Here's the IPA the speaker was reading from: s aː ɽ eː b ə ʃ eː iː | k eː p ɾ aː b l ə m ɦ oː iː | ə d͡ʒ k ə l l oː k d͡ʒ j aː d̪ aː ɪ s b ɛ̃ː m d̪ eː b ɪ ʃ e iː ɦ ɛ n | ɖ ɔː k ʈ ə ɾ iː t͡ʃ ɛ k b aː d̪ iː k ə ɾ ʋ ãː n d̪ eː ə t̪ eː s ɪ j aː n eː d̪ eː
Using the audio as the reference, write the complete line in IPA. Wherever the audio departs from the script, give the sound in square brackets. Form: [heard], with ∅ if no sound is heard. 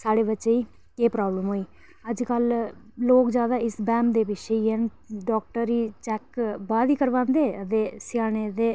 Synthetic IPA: s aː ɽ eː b ə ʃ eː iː | k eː p ɾ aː b l ə m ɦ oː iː | ə d͡ʒ k ə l l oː k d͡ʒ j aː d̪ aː ɪ s b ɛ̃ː m d̪ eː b ɪ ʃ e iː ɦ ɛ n | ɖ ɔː k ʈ ə ɾ iː t͡ʃ ɛ k b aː d̪ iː k ə ɾ ʋ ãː n d̪ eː ə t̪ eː s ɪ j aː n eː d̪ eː

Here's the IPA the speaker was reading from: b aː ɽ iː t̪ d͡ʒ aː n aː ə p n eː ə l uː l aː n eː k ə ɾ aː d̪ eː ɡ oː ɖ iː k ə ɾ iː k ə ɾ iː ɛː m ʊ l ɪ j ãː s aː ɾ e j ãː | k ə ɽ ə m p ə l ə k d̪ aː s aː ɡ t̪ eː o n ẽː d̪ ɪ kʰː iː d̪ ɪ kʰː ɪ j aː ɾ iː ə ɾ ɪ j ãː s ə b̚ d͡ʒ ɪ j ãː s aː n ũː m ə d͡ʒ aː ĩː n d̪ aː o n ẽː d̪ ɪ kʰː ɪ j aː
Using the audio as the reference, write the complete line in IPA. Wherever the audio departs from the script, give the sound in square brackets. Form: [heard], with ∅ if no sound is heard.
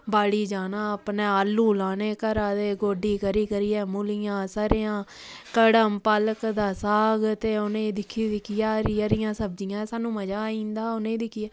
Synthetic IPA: b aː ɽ iː [∅] d͡ʒ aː n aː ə p n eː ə l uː l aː n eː k ə ɾ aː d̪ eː ɡ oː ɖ iː k ə ɾ iː k ə ɾ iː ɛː m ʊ l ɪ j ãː s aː ɾ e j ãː | k ə ɽ ə m p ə l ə k d̪ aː s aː ɡ t̪ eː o n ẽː d̪ ɪ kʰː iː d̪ ɪ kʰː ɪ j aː ɾ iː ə ɾ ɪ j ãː s ə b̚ d͡ʒ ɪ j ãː s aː n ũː m ə d͡ʒ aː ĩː n d̪ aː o n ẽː d̪ ɪ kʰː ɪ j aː

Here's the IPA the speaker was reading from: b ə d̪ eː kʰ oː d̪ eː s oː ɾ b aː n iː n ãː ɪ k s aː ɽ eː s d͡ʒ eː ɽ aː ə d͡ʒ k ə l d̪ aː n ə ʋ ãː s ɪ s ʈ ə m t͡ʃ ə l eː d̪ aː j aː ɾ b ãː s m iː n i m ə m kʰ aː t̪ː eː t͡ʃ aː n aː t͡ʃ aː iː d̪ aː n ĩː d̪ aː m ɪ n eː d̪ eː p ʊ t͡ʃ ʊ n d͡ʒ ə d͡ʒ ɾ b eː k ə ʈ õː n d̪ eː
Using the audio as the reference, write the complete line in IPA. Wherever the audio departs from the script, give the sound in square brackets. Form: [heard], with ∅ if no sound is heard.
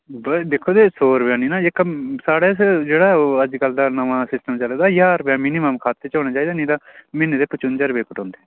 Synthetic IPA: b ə d̪ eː kʰ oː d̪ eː s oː ɾ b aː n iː n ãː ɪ k s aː ɽ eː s d͡ʒ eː ɽ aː ə d͡ʒ k ə l d̪ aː n ə ʋ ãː s ɪ s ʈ ə m t͡ʃ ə l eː d̪ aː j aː ɾ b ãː [∅] m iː n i m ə m kʰ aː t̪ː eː t͡ʃ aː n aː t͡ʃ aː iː d̪ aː n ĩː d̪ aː m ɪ n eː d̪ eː p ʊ t͡ʃ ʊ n d͡ʒ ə [∅] ɾ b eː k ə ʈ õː n d̪ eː

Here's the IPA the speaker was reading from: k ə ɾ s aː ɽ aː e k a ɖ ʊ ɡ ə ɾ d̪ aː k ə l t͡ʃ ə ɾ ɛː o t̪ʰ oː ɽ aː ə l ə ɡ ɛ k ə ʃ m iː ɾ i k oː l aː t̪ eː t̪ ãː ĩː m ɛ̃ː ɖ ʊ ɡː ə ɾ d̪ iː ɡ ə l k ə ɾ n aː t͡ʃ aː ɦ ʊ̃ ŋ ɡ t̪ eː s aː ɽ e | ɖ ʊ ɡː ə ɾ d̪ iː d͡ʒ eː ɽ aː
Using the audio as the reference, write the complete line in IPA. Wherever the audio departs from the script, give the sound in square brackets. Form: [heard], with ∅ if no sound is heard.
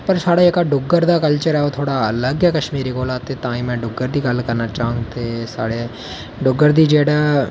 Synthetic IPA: [p] ə ɾ s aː ɽ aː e k a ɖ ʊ ɡ ə ɾ d̪ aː k ə l t͡ʃ ə ɾ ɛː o t̪ʰ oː ɽ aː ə l ə ɡ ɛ k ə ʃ m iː ɾ i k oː l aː t̪ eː t̪ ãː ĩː m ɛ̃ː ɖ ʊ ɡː ə ɾ d̪ iː ɡ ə l k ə ɾ n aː t͡ʃ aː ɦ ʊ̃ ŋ ɡ t̪ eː s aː ɽ e | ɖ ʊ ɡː ə ɾ d̪ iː d͡ʒ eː ɽ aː

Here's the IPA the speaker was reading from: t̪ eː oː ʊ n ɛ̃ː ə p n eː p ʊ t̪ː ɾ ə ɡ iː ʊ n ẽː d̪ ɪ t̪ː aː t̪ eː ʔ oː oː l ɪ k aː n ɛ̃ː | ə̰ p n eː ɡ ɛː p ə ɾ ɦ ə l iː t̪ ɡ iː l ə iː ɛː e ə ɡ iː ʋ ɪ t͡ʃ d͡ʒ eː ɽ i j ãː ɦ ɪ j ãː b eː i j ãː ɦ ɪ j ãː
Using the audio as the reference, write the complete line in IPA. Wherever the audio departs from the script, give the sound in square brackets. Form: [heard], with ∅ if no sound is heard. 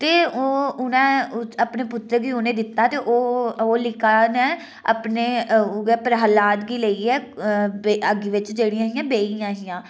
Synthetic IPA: t̪ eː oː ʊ n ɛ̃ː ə p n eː p ʊ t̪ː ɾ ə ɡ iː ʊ n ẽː d̪ ɪ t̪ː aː t̪ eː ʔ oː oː l ɪ k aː n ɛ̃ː | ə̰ p n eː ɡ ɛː p ə ɾ ɦ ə l [aː] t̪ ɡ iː l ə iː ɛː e ə ɡ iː ʋ ɪ t͡ʃ d͡ʒ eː ɽ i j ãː ɦ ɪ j ãː b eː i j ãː ɦ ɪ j ãː

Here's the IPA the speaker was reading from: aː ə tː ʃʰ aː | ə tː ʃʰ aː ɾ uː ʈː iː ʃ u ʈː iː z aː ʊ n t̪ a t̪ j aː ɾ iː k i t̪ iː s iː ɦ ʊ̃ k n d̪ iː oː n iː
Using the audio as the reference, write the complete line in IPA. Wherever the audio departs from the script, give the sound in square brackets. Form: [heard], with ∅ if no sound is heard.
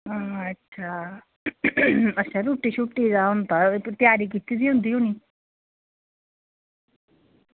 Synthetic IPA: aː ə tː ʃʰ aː | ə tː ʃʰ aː ɾ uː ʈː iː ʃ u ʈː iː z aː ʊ n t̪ a t̪ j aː ɾ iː k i t̪ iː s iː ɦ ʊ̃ [∅] n d̪ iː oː n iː

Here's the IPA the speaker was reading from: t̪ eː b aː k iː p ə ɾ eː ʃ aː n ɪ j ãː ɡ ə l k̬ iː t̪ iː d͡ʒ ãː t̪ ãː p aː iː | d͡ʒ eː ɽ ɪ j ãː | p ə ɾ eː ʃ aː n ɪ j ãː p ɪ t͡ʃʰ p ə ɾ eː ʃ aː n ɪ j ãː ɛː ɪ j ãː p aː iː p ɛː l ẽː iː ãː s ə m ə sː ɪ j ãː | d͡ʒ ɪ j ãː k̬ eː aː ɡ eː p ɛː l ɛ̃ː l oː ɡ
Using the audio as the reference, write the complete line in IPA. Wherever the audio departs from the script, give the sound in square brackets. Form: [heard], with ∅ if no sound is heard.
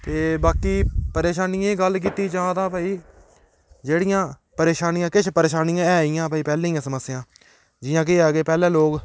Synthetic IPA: t̪ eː b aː k iː p ə ɾ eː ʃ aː n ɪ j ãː ɡ ə l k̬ iː t̪ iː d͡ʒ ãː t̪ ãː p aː iː | d͡ʒ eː ɽ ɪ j ãː | p ə ɾ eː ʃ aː n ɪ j ãː [k] ɪ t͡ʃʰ p ə ɾ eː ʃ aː n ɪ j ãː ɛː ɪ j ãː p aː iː p ɛː l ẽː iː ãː s ə m ə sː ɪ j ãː | d͡ʒ ɪ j ãː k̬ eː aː ɡ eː p ɛː l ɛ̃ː l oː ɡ

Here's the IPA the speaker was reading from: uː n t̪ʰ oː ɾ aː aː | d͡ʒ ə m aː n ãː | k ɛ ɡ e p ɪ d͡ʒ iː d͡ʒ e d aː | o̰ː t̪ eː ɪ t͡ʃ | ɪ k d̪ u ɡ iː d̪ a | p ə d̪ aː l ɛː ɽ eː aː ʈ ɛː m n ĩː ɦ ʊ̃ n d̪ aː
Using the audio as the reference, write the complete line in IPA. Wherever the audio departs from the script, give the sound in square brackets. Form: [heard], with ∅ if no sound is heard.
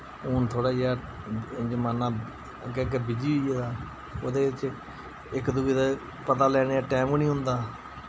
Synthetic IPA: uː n t̪ʰ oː [ɽ] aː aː | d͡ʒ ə m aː n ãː | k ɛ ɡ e [b] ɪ d͡ʒ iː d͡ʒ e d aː | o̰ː [d̪] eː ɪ t͡ʃ | ɪ k d̪ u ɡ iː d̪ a | p ə [t̪] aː l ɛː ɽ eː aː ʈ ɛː m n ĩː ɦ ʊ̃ n d̪ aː

